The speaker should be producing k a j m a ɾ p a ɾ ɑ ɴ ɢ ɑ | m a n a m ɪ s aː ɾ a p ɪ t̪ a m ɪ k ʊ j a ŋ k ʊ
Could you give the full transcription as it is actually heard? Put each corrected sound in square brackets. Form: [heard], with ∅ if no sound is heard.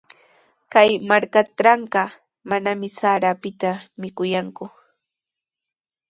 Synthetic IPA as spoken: k a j m a ɾ [k] a ɾ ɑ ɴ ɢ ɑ | m a n a m ɪ s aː ɾ a p ɪ t̪ a m ɪ k ʊ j a ŋ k ʊ